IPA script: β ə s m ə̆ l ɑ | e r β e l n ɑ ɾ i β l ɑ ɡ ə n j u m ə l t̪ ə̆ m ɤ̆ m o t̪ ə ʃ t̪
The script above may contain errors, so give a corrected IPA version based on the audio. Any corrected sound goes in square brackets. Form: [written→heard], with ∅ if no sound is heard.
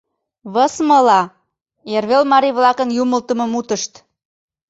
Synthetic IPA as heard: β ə s m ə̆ l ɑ | e r β e l [n→m] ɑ ɾ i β l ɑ [ɡ→k] ə n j u m ə l t̪ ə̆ m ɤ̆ m [o→u] t̪ ə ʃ t̪